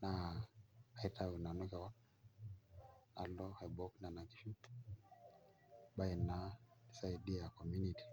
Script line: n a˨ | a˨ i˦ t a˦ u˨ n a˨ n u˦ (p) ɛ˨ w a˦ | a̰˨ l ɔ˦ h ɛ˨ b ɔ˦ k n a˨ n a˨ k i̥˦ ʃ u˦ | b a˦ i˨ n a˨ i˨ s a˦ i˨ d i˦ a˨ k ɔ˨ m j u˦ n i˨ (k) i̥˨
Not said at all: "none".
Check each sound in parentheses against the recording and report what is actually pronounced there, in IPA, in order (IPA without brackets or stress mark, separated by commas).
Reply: k, t